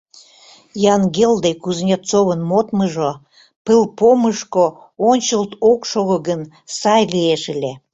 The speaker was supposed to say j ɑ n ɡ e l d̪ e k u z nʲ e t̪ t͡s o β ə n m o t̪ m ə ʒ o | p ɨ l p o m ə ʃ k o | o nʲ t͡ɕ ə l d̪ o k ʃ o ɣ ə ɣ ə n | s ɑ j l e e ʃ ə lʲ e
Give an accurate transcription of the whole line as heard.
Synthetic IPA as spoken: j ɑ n ɡ e l d̪ e k u z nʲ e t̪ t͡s o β ə n m o t̪ m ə ʒ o | p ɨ l p o m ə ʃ k o | o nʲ t͡ɕ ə l t̪ o k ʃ o ɣ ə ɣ ə n | s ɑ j l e e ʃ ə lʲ e